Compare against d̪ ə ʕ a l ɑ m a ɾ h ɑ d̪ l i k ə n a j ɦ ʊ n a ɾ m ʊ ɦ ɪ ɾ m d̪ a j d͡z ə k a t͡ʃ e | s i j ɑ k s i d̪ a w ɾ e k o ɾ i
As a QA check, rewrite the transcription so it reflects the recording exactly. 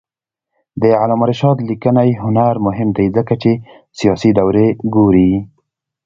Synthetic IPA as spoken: d̪ ə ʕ a l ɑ m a ɾ ʃ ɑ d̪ l i k ə n a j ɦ ʊ n a ɾ m ʊ ɦ ɪ m d̪ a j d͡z ə k a t͡ʃ e | s i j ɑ s i d̪ a w ɾ e ɡ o ɾ i